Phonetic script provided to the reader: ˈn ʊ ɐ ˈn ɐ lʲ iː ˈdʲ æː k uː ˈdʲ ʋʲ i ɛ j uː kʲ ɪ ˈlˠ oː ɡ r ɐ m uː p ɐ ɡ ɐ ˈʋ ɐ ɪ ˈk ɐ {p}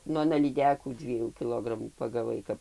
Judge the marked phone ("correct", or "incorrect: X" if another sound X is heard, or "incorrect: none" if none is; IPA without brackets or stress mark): correct